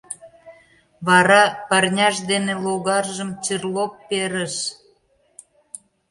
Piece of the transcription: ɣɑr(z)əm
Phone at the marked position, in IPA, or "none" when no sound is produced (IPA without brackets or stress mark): ʒ